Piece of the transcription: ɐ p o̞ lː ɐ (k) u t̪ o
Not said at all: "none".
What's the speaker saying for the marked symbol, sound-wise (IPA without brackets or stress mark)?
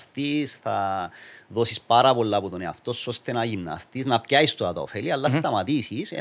p